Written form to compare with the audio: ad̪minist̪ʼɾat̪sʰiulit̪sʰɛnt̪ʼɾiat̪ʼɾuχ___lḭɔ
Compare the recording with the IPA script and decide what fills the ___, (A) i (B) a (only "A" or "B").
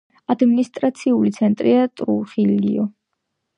A